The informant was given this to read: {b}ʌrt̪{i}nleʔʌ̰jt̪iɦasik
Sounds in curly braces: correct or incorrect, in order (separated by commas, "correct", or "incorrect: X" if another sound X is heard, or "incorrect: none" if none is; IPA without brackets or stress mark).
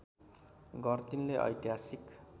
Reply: incorrect: ɡ, correct